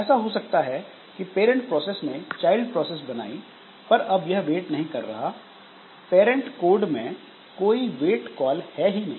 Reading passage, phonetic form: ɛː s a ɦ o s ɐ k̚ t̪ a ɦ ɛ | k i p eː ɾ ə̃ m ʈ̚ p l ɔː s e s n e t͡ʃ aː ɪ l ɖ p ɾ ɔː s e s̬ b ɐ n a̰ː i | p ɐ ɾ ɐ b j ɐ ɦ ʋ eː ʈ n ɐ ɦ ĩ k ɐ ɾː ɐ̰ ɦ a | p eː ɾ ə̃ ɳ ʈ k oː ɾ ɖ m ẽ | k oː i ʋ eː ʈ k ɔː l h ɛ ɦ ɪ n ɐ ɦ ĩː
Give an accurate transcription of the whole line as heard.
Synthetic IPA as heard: ɛː s a ɦ o s ɐ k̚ t̪ a ɦ ɛ | k i p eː ɾ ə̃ ɳ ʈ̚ p ɾ ɔː s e s n e t͡ʃ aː ɪ l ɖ p ɾ ɔː s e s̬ b ɐ n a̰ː i | p ɐ ɾ ɐ b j ɐ ɦ ʋ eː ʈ n ɐ ɦ ĩ k ɐ ɾː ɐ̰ ɦ a | p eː ɾ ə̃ ɳ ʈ k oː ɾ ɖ m ẽ | k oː i ʋ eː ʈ k ɔː l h ɛ ɦ i n ɐ ɦ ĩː